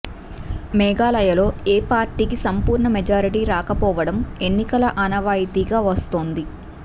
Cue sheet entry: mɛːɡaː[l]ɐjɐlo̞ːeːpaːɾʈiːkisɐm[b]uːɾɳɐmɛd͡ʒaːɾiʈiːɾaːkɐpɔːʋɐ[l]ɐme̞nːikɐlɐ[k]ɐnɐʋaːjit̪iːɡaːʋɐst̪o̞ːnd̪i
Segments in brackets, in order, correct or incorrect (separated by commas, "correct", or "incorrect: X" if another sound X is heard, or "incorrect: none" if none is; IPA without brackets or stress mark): correct, incorrect: p, incorrect: ɽ, incorrect: ʔ